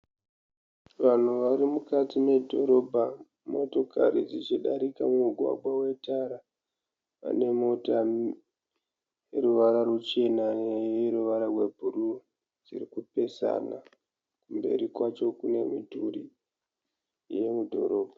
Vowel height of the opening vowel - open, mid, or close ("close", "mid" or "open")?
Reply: open